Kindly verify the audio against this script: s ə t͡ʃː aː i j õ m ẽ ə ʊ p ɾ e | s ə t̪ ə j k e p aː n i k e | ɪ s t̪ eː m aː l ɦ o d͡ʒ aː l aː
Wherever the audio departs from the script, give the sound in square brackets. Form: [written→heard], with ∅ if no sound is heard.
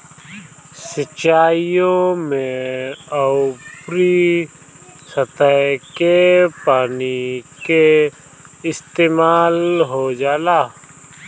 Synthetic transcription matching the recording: s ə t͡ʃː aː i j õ m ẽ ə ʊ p ɾ [e→i] | s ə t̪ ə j k e p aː n i k e | ɪ s t̪ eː m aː l ɦ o d͡ʒ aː l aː